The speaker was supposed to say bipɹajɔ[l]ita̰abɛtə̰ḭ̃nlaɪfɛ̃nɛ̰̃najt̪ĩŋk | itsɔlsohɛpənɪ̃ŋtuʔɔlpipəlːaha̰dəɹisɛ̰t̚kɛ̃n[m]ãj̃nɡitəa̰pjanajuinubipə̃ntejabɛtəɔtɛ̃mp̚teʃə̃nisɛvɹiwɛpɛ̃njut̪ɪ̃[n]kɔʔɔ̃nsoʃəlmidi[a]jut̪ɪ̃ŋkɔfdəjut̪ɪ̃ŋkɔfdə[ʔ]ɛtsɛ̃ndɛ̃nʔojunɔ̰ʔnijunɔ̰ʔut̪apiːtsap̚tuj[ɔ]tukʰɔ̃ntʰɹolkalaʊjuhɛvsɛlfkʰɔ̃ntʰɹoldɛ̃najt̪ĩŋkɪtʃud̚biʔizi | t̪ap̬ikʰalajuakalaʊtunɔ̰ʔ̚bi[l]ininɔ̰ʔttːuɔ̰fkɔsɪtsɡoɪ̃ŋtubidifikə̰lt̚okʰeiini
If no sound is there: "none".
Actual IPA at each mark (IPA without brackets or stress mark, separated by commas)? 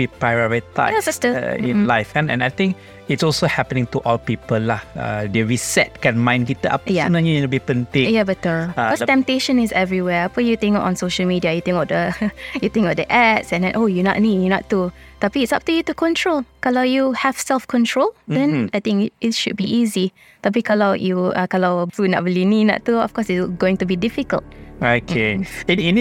ɹ, m, ŋ, a, ʔ, u, l